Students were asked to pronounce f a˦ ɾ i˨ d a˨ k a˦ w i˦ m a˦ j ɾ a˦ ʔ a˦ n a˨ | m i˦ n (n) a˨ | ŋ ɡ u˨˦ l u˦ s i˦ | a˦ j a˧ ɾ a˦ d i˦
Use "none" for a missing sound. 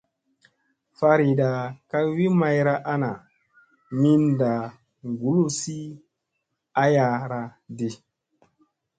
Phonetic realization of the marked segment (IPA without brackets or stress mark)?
d